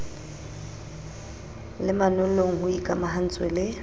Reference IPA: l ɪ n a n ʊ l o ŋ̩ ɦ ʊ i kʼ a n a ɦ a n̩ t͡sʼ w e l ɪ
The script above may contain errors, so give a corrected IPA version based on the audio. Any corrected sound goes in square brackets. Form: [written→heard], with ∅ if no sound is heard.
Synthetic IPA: l ɪ [n→m] a n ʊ l o ŋ̩ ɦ ʊ i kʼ a [n→m] a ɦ a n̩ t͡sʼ w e l ɪ